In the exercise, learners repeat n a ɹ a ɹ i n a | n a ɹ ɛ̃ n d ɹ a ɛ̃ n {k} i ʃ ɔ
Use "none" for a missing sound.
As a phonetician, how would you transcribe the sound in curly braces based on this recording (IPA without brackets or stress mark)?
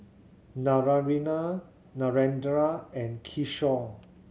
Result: kʰ